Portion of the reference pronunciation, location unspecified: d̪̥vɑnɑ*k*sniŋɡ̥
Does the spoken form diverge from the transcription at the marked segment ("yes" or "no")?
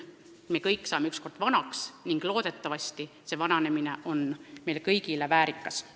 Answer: no